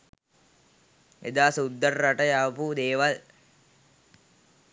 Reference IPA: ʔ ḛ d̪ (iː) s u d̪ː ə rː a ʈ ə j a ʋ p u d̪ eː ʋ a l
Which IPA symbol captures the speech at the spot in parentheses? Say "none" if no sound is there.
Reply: aː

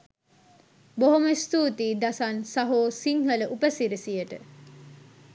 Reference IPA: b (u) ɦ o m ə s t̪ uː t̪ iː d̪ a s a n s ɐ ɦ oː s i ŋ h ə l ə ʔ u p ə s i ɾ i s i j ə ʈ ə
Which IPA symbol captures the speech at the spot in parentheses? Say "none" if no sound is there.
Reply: o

